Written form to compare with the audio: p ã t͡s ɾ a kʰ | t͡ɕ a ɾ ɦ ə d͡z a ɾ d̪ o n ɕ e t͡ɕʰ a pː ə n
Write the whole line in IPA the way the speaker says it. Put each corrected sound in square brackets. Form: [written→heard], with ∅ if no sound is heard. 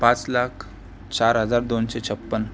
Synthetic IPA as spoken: p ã t͡s [ɾ→l] a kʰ | t͡ɕ a ɾ ɦ ə d͡z a ɾ d̪ o n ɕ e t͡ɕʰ [a→ə] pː ə n